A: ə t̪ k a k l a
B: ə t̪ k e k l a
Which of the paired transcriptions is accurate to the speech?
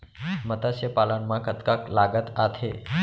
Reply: A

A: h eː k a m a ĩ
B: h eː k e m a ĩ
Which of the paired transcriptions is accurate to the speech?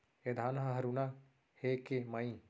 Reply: B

